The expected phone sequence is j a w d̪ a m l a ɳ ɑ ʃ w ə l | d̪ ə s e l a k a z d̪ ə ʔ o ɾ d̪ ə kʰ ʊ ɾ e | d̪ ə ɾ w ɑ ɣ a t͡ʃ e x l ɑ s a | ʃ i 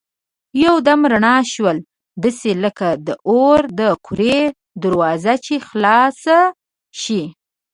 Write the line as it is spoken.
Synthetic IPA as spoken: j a w d̪ a m ɾ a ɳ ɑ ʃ w ə l | d̪ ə s e l ə k a d̪ ə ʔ o ɾ d̪ ə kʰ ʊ ɾ e | d̪ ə ɾ w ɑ z a t͡ʃ e x l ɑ s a | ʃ i